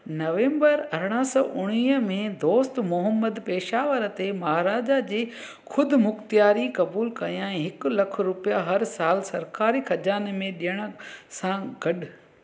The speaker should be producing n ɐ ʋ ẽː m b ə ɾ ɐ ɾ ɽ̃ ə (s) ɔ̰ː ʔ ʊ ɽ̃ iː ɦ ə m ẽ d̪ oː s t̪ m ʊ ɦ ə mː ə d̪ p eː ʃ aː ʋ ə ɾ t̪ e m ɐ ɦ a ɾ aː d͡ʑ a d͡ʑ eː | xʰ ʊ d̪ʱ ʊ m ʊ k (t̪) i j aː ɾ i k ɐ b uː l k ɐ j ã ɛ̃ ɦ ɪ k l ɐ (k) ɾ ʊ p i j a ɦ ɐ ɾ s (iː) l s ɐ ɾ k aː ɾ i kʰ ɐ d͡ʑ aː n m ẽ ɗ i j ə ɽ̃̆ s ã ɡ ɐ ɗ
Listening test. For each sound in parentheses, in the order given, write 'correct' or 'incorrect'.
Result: correct, correct, incorrect: kʰ, incorrect: aː

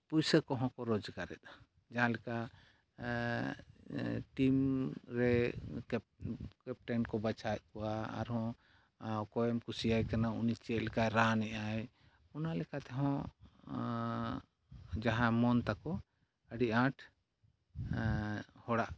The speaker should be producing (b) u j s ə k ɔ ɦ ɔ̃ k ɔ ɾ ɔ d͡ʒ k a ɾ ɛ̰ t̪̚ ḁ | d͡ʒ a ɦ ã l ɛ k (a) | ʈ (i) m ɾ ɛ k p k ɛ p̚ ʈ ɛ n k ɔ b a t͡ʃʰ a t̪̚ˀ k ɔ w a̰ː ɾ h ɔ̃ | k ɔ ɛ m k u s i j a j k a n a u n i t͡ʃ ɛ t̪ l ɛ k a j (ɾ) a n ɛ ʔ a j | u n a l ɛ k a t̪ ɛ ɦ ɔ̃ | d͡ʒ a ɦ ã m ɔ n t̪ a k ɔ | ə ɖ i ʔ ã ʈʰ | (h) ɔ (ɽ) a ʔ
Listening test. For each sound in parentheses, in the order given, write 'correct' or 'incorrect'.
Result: incorrect: p, correct, correct, correct, correct, correct

